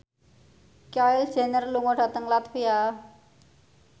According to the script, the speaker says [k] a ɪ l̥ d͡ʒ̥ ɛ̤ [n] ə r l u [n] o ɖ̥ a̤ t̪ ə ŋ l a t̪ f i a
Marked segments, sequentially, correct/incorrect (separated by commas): correct, correct, incorrect